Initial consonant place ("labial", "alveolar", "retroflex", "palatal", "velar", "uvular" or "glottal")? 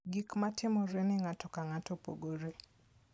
velar